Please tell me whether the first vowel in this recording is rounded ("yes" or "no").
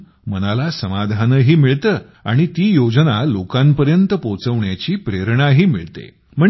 no